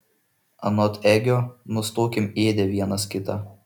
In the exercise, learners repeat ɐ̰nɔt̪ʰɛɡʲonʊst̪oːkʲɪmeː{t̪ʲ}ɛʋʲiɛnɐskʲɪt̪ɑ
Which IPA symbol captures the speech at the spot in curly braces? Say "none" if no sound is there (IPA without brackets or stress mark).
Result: d̪ʲ